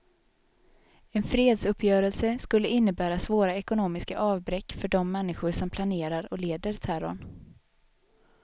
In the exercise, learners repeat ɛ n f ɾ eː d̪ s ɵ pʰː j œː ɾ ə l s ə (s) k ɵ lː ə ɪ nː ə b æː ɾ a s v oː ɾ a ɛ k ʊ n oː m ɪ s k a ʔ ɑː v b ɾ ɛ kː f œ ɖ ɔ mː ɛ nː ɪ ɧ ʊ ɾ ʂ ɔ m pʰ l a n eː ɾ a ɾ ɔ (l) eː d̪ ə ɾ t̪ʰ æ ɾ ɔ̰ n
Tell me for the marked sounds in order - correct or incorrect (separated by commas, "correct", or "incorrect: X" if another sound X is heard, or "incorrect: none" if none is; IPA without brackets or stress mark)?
correct, correct